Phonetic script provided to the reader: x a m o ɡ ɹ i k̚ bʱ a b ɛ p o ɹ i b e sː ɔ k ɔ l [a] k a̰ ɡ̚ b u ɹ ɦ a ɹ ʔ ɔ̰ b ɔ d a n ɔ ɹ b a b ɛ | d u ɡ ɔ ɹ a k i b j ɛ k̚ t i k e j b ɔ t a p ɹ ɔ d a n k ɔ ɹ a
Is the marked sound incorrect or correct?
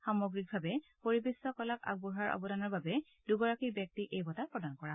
correct